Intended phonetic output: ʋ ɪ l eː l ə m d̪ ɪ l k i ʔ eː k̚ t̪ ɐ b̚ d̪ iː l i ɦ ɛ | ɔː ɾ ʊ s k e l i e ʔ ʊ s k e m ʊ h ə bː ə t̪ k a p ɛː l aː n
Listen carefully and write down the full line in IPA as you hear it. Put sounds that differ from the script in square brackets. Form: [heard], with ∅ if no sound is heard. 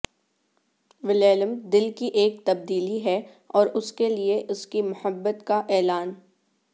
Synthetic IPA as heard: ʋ ɪ l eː l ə m d̪ ɪ l k i ʔ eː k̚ t̪ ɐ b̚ d̪ iː l i ɦ ɛ | ɔː ɾ ʊ s k e l i e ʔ ʊ s k [i] m ʊ h ə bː ə t̪ k a [ʔ] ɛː l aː n